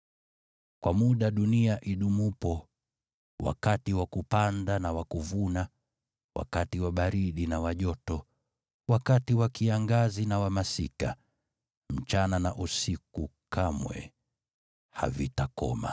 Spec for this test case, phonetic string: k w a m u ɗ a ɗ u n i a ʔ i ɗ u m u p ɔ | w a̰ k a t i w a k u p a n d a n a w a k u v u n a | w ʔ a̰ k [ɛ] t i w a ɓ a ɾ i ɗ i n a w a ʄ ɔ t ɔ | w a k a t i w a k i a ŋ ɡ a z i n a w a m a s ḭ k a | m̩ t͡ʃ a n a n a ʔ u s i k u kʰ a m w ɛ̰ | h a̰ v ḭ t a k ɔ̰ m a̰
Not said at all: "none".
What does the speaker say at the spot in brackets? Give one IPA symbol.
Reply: a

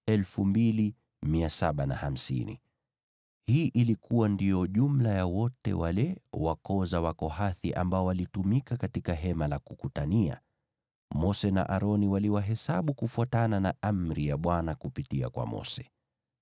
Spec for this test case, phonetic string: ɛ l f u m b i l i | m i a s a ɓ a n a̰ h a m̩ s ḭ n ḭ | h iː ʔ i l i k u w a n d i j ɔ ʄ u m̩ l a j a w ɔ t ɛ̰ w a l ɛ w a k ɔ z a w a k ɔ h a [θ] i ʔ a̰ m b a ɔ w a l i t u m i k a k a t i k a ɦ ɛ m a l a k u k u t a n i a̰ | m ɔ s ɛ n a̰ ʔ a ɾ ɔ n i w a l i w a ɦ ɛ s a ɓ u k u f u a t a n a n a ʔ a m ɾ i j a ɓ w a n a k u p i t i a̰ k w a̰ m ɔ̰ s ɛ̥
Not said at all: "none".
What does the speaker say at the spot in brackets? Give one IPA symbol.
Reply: θ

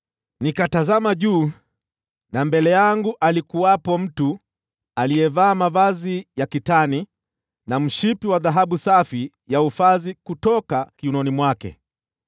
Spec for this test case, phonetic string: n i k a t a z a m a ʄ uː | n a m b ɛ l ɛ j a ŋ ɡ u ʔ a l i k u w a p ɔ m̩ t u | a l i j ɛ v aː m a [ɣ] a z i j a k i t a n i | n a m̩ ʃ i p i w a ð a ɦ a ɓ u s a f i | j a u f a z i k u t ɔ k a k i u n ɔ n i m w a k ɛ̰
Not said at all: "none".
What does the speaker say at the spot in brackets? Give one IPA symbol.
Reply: v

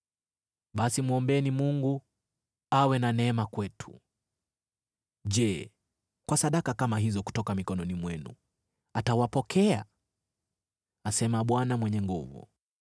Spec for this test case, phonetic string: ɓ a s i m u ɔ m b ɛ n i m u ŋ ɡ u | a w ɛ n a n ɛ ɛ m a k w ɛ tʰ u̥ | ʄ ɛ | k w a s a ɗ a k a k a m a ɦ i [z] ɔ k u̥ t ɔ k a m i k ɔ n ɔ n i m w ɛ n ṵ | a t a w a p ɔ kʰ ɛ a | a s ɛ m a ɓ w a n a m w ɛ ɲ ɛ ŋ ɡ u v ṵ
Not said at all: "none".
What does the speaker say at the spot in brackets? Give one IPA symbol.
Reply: z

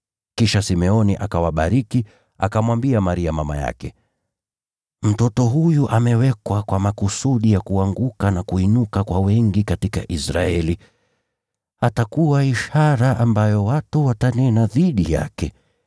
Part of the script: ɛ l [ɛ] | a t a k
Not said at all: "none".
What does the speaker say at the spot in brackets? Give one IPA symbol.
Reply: i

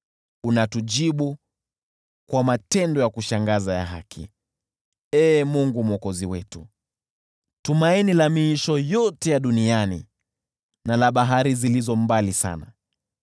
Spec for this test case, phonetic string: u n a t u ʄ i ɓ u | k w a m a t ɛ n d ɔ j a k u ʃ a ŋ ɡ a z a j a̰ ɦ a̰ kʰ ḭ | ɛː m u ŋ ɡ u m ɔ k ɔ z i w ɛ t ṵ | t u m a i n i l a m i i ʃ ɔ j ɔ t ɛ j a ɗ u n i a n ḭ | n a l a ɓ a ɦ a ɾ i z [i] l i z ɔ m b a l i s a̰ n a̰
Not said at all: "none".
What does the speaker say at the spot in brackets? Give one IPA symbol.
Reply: i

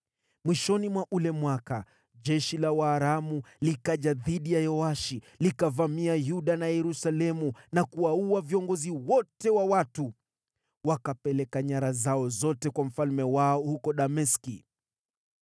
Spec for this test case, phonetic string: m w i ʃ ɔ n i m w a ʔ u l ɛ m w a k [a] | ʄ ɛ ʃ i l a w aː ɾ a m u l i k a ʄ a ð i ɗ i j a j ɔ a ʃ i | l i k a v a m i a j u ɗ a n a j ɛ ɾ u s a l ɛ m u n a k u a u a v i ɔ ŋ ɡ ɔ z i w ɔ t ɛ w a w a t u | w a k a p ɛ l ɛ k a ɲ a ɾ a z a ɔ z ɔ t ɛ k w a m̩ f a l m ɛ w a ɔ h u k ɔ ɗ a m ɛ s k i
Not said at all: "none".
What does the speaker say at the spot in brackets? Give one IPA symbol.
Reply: a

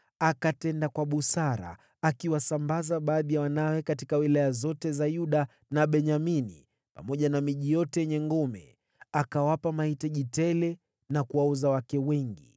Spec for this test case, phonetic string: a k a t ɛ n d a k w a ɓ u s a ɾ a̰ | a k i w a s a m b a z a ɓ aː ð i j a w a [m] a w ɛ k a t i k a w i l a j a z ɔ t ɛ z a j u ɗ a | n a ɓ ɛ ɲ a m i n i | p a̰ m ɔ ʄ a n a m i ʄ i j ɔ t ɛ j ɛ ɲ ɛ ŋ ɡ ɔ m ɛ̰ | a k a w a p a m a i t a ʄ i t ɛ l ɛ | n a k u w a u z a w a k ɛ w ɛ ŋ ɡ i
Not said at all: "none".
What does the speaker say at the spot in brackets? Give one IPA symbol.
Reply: n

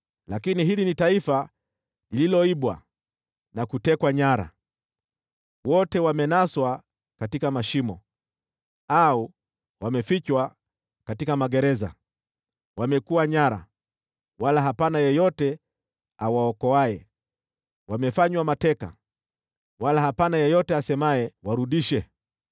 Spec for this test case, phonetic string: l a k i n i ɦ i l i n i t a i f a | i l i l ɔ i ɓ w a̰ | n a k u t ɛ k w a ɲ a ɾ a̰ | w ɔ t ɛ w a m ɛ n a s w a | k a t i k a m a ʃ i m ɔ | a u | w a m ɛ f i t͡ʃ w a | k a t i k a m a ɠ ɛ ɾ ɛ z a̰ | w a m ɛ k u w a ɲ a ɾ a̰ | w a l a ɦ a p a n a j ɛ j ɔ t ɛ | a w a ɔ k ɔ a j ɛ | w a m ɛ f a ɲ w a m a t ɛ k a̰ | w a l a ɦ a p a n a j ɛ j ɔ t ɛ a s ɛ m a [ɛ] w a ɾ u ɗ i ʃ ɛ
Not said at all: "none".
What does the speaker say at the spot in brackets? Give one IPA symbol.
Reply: ɛ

